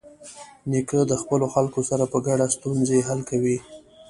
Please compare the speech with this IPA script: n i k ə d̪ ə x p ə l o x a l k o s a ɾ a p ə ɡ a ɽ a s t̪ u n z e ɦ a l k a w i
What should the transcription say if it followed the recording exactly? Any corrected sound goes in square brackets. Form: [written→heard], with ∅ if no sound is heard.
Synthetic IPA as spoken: n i k ə d̪ ə x p ə l o x a l k o s a ɾ a p ə ɡ a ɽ a s t̪ u n z e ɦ a l k a w i